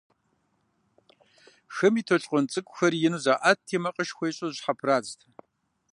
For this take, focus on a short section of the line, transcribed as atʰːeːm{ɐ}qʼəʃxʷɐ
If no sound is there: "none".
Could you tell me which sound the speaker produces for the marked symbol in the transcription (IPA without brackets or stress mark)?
ɐ